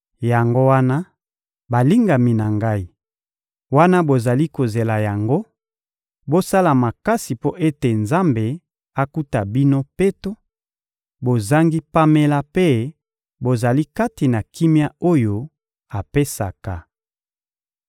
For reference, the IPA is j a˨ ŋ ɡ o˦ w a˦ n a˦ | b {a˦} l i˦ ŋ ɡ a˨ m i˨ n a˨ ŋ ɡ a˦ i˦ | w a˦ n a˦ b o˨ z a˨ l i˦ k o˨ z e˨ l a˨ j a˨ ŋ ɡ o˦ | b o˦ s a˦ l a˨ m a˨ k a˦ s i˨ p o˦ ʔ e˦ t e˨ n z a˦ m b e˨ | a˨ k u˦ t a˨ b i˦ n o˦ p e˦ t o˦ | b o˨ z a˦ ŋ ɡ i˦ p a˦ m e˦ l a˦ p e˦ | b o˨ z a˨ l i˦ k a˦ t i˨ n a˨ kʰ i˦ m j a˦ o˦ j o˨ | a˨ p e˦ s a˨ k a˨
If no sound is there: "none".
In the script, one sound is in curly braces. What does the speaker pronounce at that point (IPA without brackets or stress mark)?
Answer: a˨